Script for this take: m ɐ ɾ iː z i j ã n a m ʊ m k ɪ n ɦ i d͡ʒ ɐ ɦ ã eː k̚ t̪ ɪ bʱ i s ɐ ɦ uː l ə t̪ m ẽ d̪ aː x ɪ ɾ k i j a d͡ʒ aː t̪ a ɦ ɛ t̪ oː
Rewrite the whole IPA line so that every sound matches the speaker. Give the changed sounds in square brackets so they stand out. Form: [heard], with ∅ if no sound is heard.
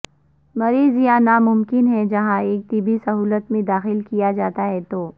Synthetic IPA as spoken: m ɐ ɾ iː z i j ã n a m ʊ m k ɪ n ɦ [ɛ] d͡ʒ ɐ ɦ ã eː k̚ t̪ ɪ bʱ i s ɐ ɦ uː l ə t̪ m ẽ d̪ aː x ɪ [l] k i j a d͡ʒ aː t̪ a ɦ ɛ t̪ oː